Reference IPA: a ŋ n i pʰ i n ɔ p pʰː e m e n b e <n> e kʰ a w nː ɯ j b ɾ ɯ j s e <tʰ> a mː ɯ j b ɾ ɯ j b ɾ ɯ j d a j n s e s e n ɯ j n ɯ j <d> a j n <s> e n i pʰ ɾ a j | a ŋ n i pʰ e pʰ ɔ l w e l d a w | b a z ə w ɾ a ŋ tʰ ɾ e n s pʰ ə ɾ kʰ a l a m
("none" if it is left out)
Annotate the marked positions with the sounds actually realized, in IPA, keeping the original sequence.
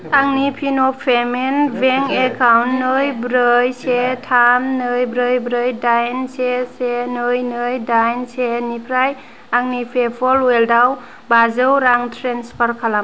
ŋ, tʰ, d, s

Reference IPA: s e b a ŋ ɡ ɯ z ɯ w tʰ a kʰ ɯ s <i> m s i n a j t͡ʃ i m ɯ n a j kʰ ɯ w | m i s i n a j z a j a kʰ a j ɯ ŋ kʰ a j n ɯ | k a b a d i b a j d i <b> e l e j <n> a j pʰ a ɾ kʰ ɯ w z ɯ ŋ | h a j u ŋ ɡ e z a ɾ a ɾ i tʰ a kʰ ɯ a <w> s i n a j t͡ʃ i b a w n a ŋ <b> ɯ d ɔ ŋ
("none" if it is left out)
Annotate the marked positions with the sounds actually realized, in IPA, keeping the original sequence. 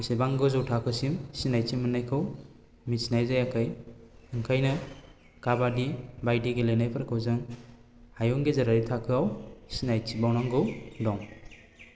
i, ɡ, n, w, ɡ

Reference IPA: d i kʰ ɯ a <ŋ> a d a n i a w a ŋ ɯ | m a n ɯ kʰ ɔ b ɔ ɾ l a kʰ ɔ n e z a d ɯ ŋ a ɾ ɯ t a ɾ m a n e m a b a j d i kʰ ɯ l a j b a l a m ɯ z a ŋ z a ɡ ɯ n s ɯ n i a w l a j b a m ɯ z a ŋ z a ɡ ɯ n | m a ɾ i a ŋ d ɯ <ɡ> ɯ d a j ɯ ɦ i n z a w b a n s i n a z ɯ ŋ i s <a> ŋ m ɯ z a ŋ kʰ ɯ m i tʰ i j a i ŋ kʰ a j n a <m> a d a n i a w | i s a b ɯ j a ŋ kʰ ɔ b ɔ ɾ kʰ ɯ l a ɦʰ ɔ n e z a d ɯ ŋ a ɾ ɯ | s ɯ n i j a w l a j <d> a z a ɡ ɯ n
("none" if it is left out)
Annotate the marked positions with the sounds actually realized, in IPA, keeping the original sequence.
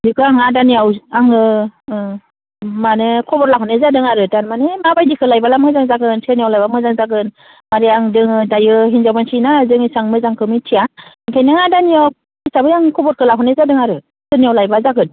ŋ, ŋ, a, ŋ, b

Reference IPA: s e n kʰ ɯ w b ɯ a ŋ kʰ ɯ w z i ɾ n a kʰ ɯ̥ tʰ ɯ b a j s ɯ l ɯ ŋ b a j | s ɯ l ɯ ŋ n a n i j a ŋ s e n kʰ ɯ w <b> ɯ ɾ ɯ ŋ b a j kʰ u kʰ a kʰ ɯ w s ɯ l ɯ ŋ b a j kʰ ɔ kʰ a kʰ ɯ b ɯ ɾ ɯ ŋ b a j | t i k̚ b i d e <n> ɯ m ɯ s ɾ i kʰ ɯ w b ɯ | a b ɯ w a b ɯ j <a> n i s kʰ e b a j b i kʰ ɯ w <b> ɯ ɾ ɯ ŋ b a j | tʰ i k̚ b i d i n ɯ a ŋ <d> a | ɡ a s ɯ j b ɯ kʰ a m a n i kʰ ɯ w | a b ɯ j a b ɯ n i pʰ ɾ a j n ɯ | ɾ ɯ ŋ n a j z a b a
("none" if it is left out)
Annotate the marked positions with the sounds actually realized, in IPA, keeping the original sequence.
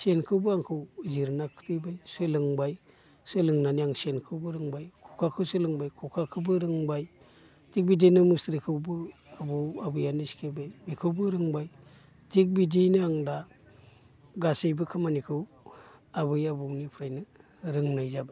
b, n, a, b, d

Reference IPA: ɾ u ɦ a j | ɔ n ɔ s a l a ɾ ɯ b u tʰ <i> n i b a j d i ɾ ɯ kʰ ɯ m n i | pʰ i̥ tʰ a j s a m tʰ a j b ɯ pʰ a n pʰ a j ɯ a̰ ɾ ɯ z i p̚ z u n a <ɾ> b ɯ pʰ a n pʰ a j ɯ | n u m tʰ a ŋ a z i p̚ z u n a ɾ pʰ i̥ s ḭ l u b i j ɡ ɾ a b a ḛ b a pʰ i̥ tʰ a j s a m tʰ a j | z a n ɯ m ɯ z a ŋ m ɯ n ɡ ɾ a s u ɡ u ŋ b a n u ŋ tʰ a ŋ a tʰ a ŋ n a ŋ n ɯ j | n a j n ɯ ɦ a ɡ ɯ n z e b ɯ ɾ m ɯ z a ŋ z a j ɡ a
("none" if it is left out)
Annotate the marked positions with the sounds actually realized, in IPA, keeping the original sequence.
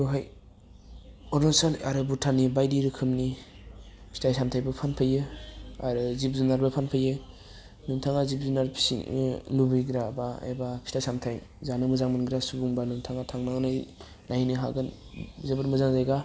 a, ɾ

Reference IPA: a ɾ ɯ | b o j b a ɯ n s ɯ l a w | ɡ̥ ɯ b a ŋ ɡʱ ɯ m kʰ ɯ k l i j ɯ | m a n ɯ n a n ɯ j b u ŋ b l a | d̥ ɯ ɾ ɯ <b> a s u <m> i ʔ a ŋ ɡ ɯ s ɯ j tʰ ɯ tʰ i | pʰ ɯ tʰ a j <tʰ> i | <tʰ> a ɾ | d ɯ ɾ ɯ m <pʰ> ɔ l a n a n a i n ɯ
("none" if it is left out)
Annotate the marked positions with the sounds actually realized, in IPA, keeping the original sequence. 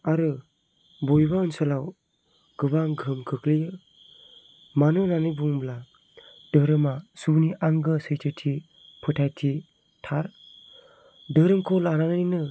m, n, tʰ, tʰ, kʰ

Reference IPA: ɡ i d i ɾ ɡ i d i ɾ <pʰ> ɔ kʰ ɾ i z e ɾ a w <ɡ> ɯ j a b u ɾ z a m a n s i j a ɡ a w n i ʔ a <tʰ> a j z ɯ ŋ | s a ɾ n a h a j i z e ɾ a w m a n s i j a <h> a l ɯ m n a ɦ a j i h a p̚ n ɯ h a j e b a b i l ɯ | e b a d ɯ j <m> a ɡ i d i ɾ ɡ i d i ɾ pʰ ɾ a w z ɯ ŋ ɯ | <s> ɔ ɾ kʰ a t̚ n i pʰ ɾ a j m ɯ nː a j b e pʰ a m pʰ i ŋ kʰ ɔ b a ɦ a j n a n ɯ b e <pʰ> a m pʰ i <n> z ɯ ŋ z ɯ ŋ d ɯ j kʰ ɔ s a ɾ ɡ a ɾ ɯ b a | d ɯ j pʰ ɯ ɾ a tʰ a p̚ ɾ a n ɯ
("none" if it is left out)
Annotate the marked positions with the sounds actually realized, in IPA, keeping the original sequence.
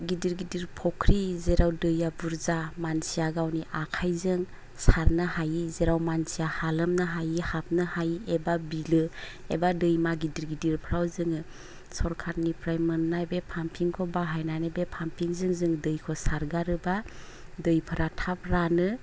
pʰ, d, kʰ, h, m, s, pʰ, ŋ

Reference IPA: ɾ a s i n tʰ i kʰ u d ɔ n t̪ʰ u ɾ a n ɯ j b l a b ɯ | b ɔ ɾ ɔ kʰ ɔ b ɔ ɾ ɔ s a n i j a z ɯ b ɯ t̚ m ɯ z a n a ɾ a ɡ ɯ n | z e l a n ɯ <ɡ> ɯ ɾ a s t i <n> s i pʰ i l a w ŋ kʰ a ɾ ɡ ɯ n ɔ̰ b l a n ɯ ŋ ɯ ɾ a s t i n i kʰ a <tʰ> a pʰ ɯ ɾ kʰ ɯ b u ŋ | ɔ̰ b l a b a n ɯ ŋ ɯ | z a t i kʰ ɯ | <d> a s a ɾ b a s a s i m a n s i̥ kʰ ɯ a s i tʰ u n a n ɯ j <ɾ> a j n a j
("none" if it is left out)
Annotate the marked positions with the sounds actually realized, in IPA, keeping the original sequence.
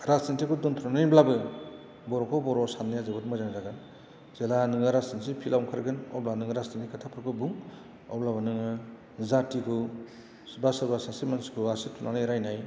ŋ, n, tʰ, b, ɾ

